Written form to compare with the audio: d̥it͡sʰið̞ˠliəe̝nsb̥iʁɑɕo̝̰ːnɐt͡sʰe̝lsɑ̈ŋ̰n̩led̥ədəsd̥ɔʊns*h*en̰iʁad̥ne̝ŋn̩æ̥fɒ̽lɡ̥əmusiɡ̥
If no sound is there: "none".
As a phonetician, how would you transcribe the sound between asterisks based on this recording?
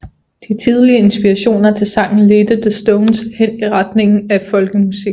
h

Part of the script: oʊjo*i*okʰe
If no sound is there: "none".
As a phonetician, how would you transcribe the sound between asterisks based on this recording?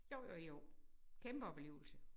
j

